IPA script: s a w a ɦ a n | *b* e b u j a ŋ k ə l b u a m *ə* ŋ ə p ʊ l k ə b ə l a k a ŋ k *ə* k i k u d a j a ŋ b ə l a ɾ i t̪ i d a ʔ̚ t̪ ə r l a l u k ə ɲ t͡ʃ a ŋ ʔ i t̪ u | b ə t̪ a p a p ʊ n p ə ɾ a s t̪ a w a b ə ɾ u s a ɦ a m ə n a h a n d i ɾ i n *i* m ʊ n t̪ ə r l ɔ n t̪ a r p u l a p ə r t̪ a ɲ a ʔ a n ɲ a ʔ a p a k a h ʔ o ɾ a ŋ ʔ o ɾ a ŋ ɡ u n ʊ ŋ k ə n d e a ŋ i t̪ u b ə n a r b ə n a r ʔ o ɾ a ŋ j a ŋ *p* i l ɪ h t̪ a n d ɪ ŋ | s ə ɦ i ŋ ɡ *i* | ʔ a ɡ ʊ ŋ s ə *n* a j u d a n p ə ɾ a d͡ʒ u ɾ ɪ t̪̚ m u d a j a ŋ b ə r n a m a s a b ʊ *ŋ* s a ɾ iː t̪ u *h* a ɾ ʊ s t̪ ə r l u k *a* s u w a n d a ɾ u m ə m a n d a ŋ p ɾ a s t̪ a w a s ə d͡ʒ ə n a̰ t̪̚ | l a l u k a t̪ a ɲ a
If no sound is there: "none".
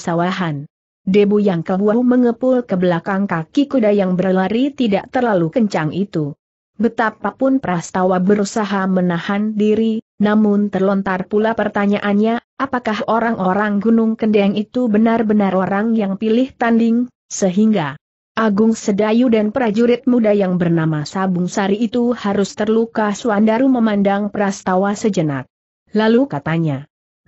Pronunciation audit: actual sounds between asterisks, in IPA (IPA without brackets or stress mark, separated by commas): d, ə, a, a, p, a, d, ŋ, h, a